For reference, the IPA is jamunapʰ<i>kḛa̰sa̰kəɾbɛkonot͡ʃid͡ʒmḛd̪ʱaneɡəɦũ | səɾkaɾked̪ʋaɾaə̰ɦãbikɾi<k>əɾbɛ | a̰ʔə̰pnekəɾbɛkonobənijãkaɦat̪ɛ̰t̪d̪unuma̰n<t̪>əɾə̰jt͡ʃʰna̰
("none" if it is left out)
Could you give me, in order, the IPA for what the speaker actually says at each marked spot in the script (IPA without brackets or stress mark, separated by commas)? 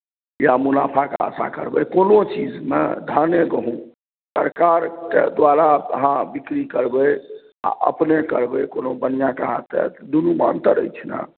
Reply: a, k, t̪